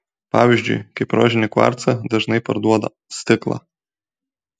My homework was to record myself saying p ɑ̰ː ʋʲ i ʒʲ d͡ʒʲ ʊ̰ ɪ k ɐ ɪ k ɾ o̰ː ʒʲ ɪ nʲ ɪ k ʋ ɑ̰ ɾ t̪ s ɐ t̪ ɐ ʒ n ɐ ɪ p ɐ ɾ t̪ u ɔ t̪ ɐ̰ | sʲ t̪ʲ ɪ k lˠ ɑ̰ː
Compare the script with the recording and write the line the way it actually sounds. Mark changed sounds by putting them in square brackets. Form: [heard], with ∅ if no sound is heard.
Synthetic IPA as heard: p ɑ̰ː ʋʲ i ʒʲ d͡ʒʲ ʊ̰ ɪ k ɐ ɪ [p] ɾ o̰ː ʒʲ ɪ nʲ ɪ k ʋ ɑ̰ ɾ t̪ s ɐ [d̪] ɐ ʒ n ɐ ɪ p ɐ ɾ [d̪] u ɔ [d̪] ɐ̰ | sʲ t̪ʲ ɪ k lˠ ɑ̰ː